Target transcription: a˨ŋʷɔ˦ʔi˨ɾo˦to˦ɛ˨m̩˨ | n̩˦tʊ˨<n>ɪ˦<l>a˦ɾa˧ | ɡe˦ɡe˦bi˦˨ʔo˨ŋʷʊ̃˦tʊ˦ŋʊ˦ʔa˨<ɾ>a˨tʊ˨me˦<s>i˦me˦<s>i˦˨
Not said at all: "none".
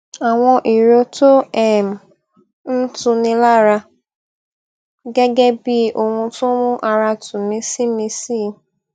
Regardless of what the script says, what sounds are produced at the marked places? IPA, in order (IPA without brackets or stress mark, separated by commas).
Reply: n, l, ɾ, s, s